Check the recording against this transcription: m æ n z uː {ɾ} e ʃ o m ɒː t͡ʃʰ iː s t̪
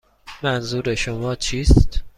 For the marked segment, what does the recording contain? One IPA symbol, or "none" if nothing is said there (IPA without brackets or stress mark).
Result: ɾ